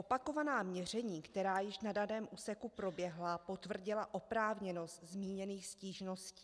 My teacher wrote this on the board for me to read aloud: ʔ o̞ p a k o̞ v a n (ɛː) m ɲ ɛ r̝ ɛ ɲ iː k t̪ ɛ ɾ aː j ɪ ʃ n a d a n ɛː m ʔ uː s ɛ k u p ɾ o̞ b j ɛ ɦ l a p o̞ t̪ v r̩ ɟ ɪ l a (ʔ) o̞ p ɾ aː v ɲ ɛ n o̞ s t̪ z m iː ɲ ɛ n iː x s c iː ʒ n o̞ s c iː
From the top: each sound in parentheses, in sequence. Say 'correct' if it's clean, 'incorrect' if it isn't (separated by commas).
incorrect, correct